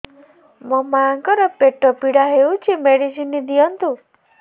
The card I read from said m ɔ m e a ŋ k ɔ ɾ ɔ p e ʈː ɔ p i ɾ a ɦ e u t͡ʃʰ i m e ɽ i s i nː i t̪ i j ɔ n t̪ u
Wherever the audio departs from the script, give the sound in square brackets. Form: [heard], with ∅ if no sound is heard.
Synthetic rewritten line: m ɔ m [a] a ŋ k ɔ ɾ ɔ p e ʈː ɔ p i [ɽ] a ɦ e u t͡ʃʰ i m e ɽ i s i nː i [d̪] i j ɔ n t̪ u